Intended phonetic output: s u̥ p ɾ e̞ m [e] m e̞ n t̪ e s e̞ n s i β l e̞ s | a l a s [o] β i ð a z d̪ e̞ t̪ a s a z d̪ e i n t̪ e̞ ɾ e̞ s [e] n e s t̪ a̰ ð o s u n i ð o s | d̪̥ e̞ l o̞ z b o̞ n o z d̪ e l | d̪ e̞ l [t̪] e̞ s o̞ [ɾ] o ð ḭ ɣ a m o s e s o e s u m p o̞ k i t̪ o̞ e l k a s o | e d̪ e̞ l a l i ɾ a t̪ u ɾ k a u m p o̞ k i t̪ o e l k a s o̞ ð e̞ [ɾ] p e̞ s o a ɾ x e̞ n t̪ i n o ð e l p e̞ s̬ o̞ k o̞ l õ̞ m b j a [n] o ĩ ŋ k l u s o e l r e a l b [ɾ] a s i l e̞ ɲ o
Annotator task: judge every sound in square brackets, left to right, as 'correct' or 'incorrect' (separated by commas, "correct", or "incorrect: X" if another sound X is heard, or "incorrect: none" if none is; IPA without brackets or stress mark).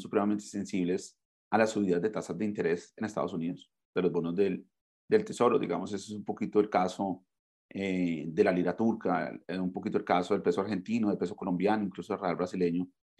incorrect: a, incorrect: u, correct, correct, correct, incorrect: l, correct, correct